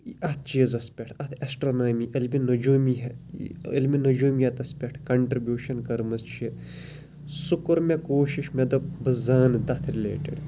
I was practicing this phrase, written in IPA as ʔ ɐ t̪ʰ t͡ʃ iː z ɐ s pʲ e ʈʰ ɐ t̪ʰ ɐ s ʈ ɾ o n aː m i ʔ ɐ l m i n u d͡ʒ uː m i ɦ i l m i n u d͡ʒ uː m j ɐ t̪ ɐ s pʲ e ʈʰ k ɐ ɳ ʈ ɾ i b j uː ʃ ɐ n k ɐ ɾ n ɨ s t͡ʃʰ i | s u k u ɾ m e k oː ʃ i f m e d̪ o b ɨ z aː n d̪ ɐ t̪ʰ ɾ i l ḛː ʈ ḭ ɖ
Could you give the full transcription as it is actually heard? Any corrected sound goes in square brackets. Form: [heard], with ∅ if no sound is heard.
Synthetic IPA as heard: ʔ ɐ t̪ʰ t͡ʃ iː z ɐ s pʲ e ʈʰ ɐ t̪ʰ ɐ s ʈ ɾ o n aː m i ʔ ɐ l m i n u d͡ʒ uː m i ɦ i l m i n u d͡ʒ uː m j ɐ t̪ ɐ s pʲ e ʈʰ k ɐ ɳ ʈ ɾ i b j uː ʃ ɐ n k ɐ ɾ [m] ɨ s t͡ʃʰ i | s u k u ɾ m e k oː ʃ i [ʃ] m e d̪ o b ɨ z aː n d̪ ɐ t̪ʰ ɾ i l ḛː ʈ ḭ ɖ